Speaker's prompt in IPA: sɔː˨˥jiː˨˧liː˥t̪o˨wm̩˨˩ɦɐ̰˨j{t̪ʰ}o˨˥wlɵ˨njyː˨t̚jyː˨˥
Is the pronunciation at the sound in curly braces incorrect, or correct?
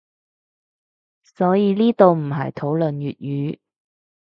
correct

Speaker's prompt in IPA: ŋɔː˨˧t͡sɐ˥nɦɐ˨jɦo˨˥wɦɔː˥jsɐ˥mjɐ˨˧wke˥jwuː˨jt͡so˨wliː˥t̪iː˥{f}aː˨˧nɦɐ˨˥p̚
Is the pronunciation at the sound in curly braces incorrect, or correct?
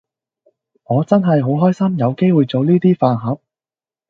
correct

